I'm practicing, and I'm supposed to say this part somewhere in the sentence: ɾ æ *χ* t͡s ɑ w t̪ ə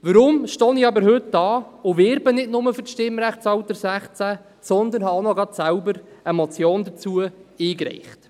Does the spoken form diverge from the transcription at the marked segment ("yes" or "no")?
no